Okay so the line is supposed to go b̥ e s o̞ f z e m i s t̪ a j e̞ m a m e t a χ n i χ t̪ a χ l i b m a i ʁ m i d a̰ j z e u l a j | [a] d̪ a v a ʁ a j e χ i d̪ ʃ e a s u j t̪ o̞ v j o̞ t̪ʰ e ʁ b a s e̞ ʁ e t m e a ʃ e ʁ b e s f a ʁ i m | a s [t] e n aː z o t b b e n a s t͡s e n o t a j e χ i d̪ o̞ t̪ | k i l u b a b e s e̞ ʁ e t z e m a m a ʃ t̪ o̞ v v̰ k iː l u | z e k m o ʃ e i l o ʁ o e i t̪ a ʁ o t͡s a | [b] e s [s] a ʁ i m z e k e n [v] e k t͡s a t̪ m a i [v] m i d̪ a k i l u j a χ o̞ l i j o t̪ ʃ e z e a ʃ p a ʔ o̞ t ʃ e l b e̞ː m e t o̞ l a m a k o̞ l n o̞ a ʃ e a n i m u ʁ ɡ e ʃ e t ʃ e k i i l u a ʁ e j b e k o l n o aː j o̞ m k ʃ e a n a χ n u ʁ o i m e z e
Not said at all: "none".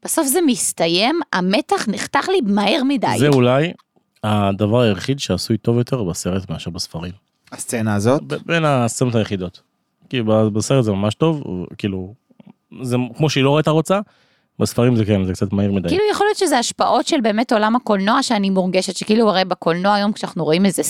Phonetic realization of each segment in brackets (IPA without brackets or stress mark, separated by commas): a, t͡s, b, f, z, ʁ